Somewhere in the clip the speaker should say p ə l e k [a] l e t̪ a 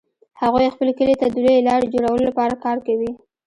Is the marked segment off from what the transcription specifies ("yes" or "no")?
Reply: yes